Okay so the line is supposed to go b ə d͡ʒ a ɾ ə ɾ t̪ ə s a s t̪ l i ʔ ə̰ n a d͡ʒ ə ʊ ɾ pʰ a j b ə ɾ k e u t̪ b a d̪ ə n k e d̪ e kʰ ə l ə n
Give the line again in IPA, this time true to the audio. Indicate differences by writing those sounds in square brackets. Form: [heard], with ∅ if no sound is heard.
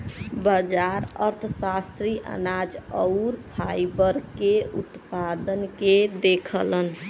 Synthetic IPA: b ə d͡ʒ a ɾ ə ɾ [t̪ʰ] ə s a s t̪ [ɾ] i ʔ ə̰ n a d͡ʒ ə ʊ ɾ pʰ a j b ə ɾ k e u t̪ [p] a d̪ ə n k e d̪ e kʰ ə l ə n